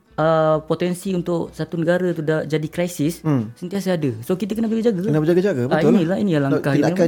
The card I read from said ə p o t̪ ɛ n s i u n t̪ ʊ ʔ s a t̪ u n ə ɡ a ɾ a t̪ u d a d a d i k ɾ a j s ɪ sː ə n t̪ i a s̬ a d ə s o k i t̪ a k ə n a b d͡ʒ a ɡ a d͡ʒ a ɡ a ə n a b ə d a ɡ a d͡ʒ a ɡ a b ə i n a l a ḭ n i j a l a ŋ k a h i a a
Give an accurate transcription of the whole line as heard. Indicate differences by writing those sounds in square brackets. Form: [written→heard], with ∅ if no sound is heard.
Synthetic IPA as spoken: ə p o t̪ ɛ n s i u n t̪ ʊ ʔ s a t̪ u n ə ɡ a ɾ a t̪ u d a [d→d͡ʒ] a d i k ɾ a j s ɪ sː ə n t̪ i a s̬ a d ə s o k i t̪ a k ə n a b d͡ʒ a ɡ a d͡ʒ a ɡ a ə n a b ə [d→d͡ʒ] a ɡ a d͡ʒ a ɡ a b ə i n [a→i] l a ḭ n i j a l a ŋ k a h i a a